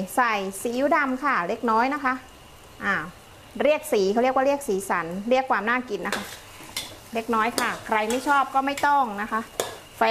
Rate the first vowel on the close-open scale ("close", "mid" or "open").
open